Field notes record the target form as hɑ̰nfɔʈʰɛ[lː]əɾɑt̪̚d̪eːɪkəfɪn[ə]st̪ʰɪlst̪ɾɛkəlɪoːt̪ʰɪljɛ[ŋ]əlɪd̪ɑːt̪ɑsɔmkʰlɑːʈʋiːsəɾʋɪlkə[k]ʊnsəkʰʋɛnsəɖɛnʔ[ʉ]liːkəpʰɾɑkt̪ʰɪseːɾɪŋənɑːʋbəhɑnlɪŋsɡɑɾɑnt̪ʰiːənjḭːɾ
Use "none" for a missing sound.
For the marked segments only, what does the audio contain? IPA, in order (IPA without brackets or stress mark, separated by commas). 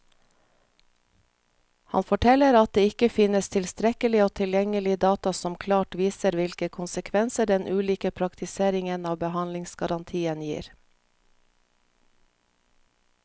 l, ə, ŋ, kʰ, ʉː